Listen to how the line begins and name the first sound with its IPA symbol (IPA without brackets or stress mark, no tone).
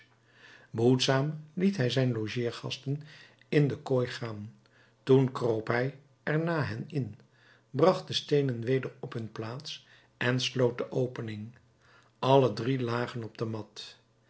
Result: b